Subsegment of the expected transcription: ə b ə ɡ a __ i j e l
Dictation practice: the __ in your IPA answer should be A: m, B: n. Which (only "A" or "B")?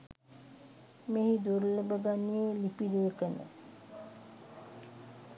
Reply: B